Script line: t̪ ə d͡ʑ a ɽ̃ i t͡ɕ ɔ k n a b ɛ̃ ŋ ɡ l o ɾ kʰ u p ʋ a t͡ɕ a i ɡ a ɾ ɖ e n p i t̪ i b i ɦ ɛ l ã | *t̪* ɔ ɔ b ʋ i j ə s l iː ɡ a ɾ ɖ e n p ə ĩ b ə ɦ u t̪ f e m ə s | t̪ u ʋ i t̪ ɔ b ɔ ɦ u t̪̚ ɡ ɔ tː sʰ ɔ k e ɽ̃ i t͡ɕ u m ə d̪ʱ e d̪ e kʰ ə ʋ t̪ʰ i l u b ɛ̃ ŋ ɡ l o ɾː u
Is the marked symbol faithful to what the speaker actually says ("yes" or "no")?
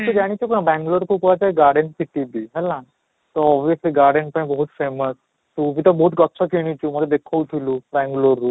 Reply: yes